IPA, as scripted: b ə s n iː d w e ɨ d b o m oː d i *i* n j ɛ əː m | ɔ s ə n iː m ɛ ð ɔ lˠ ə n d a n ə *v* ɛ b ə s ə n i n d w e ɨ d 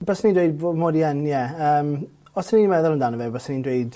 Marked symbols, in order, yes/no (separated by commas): no, yes